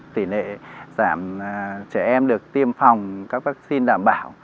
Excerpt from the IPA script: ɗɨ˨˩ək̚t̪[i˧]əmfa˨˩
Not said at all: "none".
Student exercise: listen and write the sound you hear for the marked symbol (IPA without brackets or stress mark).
i˧